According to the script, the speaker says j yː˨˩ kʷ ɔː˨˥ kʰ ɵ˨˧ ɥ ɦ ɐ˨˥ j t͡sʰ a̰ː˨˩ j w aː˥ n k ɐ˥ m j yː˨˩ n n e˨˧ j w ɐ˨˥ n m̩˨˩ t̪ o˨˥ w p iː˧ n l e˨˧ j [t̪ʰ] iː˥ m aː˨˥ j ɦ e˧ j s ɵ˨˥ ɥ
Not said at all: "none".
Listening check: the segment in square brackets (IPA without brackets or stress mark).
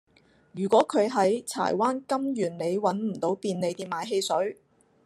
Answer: t̪